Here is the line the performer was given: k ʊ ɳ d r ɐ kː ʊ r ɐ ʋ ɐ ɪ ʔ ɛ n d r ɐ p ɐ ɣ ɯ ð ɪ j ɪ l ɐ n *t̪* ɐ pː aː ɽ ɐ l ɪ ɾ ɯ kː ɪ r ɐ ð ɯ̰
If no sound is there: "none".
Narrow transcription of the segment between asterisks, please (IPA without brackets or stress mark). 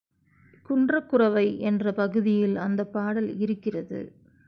d̪